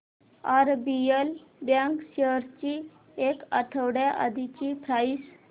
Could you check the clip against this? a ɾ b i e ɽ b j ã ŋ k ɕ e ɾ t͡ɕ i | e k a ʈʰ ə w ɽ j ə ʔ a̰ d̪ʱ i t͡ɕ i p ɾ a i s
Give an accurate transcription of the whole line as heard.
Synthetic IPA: a ɾ b i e l b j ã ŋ k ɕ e ɾ t͡ɕ i | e k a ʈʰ ə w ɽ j a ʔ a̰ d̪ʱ i t͡ɕ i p ɾ a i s